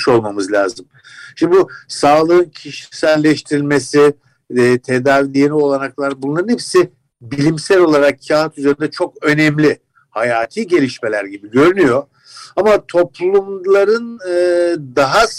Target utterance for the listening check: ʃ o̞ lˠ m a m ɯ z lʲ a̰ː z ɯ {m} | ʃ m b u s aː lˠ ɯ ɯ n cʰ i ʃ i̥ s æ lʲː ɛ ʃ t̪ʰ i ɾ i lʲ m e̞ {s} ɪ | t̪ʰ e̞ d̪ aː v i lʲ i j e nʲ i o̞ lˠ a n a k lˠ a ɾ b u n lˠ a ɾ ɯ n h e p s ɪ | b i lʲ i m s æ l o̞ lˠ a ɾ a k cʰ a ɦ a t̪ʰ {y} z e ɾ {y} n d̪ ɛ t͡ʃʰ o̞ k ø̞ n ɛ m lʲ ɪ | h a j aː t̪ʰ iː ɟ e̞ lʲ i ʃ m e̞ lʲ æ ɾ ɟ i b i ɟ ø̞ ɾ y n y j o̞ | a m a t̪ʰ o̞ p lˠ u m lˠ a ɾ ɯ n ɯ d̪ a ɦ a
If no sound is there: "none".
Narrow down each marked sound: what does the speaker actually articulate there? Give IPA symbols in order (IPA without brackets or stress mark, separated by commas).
m, s, y, i